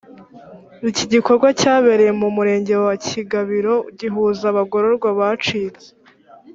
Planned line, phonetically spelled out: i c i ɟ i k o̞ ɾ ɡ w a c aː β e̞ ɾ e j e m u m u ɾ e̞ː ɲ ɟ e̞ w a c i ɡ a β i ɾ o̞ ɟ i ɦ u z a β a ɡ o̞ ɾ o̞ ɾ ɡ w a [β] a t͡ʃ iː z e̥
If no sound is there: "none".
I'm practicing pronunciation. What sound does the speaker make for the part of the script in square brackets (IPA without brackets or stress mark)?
β